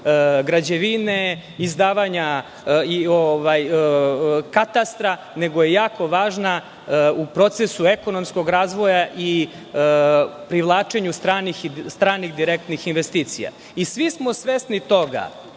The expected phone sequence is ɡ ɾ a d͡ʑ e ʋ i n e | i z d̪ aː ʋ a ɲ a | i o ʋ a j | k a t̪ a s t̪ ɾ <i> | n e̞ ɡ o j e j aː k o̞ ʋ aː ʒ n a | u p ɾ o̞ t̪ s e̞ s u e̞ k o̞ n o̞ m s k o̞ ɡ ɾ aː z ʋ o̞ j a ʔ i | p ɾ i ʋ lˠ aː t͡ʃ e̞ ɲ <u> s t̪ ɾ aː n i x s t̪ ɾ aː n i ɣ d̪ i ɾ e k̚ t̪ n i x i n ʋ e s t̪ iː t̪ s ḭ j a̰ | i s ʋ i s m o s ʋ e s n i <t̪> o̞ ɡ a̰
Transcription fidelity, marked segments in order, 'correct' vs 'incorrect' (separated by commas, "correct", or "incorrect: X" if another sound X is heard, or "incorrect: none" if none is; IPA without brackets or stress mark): incorrect: a, correct, correct